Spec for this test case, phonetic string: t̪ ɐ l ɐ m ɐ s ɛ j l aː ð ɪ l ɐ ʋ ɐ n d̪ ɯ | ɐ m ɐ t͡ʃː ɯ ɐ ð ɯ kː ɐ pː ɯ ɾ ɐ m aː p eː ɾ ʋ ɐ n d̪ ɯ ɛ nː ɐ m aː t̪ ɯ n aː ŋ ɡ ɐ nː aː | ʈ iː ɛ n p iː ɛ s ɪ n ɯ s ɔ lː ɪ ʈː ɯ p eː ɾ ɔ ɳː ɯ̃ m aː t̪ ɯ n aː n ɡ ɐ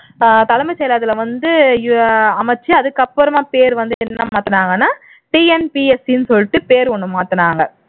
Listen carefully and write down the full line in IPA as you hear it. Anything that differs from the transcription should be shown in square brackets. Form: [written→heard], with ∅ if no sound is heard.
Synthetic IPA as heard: t̪ ɐ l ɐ m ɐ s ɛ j l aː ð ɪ l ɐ ʋ ɐ n d̪ ɯ | ɐ m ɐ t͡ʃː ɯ ɐ ð ɯ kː ɐ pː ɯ ɾ ɐ m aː p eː ɾ ʋ ɐ n d̪ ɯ ɛ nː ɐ m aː t̪ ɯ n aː ŋ ɡ ɐ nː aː | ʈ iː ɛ n p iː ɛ s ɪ n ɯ s ɔ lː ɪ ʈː ɯ p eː ɾ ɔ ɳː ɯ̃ m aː t̪ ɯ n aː [n→ŋ] ɡ ɐ

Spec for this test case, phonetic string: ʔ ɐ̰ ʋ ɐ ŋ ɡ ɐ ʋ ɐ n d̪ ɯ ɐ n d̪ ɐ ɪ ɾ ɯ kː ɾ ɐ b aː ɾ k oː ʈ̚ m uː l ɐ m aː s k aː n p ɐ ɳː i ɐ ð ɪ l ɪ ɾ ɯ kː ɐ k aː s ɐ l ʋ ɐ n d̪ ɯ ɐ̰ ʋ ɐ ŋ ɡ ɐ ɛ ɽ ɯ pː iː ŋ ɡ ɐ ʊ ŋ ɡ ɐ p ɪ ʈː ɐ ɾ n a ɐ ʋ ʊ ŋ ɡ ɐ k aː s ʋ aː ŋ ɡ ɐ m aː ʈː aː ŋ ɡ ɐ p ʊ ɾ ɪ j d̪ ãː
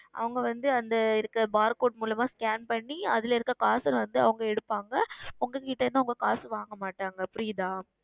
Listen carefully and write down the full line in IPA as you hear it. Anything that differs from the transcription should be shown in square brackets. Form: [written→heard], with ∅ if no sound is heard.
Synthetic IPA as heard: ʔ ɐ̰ ʋ ɐ ŋ ɡ ɐ ʋ ɐ n d̪ ɯ ɐ n d̪ ɐ ɪ ɾ ɯ kː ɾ ɐ b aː ɾ k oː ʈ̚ m uː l ɐ m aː s k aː n p ɐ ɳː i ɐ ð ɪ l ɪ ɾ ɯ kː ɐ k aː s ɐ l ʋ ɐ n d̪ ɯ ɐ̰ ʋ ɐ ŋ ɡ ɐ ɛ ɽ ɯ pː [iː→aː] ŋ ɡ ɐ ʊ ŋ ɡ ɐ [p→k] ɪ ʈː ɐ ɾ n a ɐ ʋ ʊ ŋ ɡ ɐ k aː s ʋ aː ŋ ɡ ɐ m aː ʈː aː ŋ ɡ ɐ p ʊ ɾ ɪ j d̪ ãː

